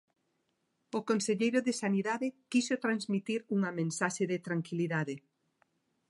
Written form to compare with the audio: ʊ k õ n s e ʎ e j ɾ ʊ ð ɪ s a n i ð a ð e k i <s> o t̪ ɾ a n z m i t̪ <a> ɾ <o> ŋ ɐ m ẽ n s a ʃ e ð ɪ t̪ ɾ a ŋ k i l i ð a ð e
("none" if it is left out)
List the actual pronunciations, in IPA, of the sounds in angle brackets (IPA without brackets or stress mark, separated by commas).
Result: s, i, u